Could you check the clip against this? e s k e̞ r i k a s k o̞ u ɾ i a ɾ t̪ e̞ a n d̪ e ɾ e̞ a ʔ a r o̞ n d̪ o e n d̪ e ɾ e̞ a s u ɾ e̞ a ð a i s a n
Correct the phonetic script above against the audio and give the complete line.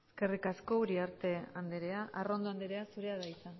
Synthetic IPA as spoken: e s k e̞ r i k a s k o̞ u ɾ i a ɾ t̪ e̞ a n d̪ e ɾ e̞ a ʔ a r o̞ n d̪ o a n d̪ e ɾ e̞ a s u ɾ e̞ a ð a i s a n